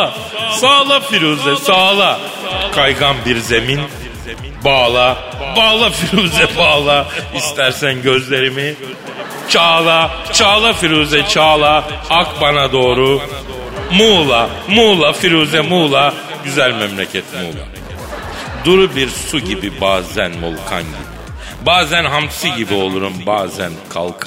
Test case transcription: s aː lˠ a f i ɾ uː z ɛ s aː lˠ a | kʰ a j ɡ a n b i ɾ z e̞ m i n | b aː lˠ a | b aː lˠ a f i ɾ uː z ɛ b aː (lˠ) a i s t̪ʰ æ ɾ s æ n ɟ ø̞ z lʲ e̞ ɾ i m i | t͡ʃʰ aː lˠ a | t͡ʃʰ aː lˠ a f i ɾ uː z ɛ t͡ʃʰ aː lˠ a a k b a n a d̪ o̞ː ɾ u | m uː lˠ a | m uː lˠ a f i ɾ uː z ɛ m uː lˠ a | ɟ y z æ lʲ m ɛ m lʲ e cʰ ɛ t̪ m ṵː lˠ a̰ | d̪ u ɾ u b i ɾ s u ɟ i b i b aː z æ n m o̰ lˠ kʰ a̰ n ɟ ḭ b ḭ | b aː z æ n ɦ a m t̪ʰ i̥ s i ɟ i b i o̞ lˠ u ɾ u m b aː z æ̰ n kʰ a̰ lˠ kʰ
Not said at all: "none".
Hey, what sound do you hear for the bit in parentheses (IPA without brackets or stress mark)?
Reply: lˠ